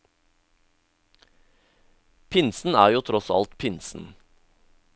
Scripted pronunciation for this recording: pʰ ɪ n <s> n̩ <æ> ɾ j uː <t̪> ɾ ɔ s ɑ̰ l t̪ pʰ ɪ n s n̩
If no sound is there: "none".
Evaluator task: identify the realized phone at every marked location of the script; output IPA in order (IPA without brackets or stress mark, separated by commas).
s, æː, t̪ʰ